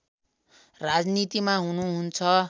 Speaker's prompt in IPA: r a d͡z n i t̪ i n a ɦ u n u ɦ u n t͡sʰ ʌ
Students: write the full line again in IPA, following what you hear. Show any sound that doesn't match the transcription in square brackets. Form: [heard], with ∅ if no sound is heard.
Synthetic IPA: r a d͡z n i t̪ i [m] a ɦ u n u ɦ u n t͡sʰ ʌ